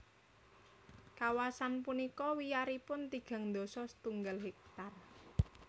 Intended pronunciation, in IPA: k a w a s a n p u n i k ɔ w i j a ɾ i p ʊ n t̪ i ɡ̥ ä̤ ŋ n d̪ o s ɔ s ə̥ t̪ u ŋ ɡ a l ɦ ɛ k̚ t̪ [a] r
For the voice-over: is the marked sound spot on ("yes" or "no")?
yes